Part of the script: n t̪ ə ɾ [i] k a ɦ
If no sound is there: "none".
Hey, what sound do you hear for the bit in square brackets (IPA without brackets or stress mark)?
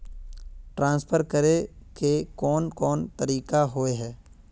iː